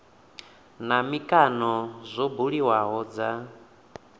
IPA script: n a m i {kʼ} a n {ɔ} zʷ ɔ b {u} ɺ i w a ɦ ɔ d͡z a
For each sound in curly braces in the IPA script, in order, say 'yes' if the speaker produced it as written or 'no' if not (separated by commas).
yes, yes, yes